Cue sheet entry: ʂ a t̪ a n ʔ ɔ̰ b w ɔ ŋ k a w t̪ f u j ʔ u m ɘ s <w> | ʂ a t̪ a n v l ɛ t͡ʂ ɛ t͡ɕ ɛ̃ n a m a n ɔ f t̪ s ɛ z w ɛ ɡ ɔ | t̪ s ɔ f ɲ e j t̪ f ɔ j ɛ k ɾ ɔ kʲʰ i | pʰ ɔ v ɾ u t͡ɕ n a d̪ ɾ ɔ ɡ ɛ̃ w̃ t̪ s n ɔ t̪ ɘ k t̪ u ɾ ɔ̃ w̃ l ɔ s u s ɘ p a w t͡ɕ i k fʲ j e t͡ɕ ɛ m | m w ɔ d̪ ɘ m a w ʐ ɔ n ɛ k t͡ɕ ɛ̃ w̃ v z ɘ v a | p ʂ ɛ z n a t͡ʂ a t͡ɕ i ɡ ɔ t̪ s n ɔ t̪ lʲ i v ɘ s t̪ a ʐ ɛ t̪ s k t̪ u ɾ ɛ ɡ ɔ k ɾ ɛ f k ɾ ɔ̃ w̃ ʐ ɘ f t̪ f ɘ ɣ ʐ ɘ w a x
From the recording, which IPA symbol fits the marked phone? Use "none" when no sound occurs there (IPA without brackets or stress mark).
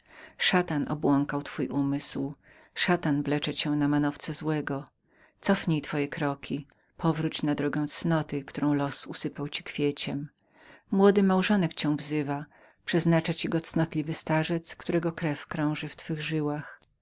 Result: w